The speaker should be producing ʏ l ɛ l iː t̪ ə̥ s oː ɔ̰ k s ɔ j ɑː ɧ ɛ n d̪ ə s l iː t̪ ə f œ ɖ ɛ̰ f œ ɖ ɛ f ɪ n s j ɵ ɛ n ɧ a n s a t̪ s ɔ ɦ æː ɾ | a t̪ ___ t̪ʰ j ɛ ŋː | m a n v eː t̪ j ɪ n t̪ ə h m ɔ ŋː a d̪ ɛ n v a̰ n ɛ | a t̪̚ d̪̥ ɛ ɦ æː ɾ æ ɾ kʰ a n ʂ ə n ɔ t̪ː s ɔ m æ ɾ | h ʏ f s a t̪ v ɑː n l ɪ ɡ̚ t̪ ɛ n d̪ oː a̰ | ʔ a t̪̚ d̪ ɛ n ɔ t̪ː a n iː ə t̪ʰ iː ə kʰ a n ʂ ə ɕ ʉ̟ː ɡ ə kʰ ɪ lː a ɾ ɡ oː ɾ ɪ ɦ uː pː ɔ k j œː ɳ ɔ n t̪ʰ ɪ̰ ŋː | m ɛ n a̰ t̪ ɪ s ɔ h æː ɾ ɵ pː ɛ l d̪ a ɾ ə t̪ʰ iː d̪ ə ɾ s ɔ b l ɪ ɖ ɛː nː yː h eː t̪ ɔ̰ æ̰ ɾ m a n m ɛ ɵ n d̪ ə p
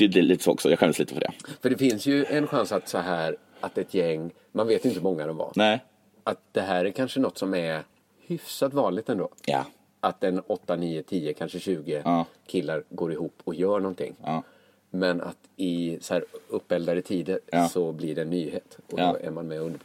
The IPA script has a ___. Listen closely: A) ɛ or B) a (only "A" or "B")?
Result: A